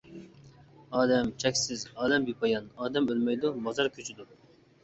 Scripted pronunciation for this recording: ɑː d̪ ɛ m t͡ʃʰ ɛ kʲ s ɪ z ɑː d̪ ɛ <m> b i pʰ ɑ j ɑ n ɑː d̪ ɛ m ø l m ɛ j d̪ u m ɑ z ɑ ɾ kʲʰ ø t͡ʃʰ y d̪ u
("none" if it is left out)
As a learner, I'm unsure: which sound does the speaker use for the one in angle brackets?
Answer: m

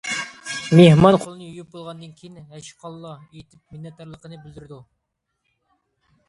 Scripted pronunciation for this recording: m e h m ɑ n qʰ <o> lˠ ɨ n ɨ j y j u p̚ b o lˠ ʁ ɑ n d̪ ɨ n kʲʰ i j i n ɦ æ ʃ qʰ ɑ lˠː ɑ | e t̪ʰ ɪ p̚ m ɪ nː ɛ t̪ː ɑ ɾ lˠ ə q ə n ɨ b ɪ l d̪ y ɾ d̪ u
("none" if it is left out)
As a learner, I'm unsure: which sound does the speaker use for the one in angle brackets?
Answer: o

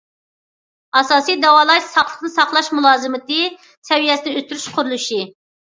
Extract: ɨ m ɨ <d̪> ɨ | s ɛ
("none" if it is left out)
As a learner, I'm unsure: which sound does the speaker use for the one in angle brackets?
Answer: t̪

